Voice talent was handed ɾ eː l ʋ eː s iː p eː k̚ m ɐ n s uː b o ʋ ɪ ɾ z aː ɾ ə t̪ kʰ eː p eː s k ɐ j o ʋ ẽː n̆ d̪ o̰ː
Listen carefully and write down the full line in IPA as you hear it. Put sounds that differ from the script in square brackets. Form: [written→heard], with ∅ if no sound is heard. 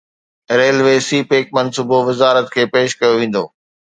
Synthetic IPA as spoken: ɾ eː l ʋ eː s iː p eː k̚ m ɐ n s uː b o ʋ ɪ [ɾ→∅] z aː ɾ ə t̪ kʰ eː p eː [s→ʃ] k ɐ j o ʋ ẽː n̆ d̪ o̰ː